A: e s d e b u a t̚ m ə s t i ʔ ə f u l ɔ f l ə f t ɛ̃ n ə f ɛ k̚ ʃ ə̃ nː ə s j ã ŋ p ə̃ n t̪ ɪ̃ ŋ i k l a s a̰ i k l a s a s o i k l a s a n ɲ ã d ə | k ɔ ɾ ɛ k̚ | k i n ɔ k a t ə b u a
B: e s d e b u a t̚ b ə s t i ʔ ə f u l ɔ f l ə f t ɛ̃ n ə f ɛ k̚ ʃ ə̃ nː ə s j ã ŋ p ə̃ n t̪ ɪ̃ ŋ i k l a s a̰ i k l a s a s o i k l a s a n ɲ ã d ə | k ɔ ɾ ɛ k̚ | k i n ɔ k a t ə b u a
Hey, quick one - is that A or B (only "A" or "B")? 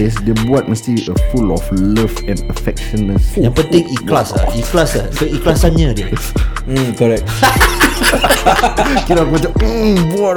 A